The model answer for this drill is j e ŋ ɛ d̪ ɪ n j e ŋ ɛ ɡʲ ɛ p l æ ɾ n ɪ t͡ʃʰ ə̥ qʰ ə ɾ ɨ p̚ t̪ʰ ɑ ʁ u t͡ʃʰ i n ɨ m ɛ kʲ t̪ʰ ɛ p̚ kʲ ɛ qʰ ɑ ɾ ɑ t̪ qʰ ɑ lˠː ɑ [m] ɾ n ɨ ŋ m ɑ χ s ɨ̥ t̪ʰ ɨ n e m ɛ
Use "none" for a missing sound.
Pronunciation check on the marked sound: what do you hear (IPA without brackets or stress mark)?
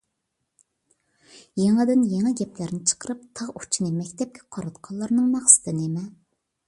none